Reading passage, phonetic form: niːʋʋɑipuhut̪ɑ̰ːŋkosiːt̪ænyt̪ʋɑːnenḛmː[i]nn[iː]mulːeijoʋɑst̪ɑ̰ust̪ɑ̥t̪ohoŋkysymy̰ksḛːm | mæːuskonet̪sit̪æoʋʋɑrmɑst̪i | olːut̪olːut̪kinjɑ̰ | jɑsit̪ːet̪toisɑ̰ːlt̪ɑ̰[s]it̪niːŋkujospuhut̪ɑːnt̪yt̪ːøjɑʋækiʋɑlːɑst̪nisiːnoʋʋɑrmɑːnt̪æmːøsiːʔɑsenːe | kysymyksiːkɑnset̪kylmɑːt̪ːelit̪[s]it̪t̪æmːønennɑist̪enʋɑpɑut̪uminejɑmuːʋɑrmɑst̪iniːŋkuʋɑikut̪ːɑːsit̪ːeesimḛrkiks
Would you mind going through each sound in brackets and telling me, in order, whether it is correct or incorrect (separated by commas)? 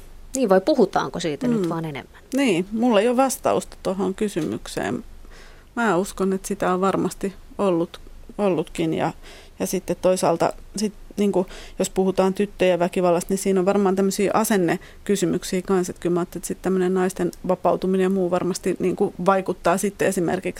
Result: incorrect, correct, correct, correct